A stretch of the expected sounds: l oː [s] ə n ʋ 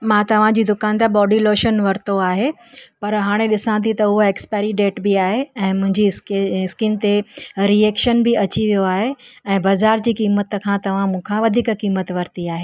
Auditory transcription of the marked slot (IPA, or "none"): ʃ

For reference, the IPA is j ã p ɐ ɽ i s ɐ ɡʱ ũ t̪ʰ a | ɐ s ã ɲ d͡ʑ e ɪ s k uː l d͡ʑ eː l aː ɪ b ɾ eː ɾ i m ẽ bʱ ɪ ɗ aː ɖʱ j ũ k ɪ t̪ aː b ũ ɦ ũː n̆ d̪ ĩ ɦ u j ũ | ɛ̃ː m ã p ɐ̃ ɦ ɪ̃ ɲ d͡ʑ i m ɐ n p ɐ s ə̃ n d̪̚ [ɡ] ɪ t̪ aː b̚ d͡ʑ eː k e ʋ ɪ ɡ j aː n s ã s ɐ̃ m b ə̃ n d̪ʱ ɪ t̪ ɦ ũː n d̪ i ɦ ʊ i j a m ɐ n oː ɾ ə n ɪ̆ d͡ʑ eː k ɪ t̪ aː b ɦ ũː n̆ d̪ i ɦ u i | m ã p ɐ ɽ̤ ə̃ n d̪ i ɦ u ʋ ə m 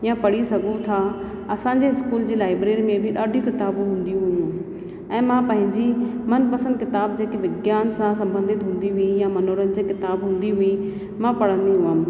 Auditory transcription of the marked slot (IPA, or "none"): k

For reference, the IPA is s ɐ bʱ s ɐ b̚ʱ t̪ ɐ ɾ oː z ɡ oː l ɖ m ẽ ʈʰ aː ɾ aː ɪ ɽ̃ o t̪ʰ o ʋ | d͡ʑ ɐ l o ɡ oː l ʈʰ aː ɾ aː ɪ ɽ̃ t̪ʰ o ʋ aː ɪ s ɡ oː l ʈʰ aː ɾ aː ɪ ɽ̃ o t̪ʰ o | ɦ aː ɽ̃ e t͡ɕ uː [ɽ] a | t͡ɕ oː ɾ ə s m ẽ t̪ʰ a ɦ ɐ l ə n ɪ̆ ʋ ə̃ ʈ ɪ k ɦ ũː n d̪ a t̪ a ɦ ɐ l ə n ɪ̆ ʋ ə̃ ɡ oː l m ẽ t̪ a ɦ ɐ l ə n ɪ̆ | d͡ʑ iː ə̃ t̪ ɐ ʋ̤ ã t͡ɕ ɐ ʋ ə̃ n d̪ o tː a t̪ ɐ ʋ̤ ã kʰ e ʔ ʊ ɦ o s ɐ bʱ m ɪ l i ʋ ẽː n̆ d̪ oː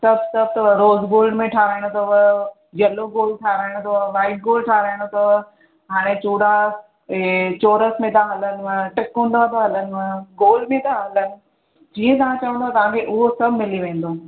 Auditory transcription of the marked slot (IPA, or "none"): ɽ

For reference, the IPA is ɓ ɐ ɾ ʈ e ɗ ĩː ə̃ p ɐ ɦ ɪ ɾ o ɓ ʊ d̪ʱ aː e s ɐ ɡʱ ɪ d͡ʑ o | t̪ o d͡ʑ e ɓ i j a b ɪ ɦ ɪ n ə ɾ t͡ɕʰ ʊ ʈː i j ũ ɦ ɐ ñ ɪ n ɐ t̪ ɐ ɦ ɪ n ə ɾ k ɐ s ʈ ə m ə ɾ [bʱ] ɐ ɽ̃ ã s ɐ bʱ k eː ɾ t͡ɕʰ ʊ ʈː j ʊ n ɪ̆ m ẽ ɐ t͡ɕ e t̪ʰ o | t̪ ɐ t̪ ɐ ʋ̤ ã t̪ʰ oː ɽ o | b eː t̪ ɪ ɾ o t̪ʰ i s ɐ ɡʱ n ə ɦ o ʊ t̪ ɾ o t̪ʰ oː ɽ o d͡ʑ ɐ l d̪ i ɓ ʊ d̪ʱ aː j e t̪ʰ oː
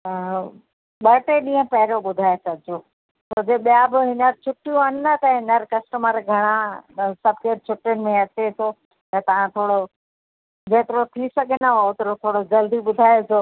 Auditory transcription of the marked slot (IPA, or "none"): ɡʱ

